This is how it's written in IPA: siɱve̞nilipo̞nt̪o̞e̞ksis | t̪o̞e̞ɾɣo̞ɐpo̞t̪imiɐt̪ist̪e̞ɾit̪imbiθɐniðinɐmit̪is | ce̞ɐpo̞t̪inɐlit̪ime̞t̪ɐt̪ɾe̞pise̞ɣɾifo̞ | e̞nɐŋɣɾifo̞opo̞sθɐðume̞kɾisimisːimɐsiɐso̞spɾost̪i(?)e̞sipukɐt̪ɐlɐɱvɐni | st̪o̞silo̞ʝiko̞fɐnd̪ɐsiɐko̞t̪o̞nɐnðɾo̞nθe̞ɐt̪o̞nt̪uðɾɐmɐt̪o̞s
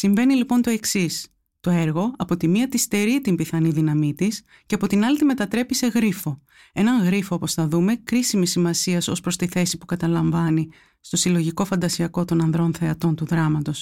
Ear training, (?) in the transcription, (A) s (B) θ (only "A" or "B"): B